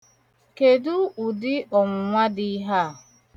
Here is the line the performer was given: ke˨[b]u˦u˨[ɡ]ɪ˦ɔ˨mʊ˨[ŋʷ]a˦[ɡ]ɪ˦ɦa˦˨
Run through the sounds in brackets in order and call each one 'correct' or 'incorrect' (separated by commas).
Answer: incorrect, incorrect, correct, incorrect